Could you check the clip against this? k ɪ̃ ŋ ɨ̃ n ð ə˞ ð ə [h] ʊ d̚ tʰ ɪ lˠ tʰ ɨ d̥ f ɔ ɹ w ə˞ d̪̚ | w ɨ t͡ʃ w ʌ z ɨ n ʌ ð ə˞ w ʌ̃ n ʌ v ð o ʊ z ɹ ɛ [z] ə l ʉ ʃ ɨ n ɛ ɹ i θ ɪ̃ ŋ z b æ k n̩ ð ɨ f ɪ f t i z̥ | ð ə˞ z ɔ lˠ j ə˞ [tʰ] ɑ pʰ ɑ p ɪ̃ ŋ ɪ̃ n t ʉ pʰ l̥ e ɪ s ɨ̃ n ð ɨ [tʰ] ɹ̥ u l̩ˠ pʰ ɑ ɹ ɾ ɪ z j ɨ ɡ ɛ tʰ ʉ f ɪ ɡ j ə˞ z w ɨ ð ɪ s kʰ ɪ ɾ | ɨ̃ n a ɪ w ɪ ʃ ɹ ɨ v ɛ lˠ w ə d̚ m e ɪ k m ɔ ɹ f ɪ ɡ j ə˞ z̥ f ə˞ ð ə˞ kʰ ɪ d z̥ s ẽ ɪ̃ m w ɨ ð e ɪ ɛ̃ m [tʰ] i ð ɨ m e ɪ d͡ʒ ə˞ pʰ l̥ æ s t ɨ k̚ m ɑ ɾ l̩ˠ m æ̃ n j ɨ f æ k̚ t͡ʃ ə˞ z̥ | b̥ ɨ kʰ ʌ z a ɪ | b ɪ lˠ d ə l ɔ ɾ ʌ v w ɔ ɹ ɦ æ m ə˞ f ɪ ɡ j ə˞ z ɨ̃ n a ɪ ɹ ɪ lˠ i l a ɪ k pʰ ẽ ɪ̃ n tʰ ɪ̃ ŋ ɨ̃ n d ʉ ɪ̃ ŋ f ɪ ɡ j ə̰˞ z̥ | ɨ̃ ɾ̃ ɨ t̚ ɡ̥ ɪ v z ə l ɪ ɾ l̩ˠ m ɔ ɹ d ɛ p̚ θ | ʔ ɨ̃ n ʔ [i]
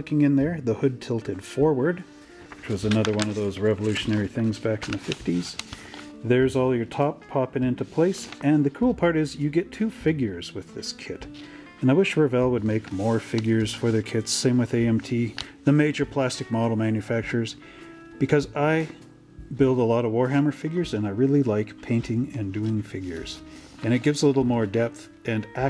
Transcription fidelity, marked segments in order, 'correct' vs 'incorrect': correct, incorrect: v, correct, incorrect: kʰ, correct, incorrect: æ

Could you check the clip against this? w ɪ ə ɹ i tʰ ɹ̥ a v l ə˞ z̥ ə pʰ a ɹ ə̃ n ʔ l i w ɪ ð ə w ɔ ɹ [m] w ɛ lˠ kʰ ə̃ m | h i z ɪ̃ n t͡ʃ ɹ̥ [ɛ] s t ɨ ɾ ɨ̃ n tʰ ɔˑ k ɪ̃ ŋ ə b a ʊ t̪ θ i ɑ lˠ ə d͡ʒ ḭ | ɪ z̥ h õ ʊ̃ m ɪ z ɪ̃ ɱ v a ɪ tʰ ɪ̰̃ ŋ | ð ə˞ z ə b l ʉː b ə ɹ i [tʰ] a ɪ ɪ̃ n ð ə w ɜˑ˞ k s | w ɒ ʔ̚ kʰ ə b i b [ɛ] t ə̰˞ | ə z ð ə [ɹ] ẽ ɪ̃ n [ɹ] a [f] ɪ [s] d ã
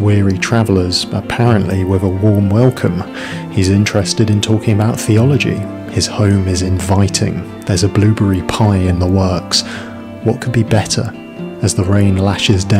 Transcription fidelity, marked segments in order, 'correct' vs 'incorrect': correct, correct, incorrect: pʰ, correct, correct, incorrect: l, incorrect: ʃ, incorrect: z

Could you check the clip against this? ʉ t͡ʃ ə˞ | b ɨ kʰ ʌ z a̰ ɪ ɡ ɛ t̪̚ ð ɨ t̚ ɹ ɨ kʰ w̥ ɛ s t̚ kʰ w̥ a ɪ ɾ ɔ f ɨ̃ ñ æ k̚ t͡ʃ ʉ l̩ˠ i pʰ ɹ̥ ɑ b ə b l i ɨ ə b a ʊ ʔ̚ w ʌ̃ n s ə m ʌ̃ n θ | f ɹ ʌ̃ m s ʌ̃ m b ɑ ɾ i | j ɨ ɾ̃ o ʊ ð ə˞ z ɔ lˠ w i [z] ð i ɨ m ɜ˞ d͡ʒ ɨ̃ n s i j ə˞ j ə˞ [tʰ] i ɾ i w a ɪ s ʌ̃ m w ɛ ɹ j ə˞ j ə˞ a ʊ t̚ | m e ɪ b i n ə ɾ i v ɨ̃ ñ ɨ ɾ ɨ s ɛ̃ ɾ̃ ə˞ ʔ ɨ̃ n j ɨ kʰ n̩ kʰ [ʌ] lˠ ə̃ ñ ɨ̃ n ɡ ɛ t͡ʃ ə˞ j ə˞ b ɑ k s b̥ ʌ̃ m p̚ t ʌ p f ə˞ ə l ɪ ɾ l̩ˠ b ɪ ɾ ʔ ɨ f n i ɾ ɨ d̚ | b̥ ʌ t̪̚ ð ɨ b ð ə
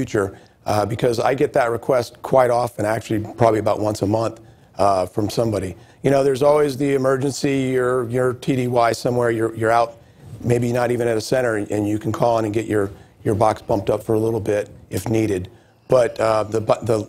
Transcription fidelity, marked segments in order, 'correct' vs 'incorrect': correct, correct, incorrect: ɔ

